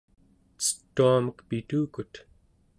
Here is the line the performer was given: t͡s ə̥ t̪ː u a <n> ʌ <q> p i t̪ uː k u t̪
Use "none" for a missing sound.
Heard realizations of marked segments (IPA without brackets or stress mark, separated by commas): m, q